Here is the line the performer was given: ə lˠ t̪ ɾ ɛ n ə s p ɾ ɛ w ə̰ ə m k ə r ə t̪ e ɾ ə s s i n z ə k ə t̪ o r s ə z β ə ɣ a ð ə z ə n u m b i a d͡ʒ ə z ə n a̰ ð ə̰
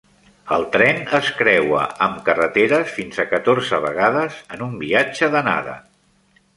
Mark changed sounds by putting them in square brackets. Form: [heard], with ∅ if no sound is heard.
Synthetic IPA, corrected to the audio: ə lˠ t̪ ɾ ɛ n ə s [k] ɾ ɛ w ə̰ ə m k ə r ə t̪ e ɾ ə s [f] i n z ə k ə t̪ o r [z] ə [∅] β ə ɣ a ð ə z ə n u m b i a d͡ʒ ə [ð] ə n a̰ ð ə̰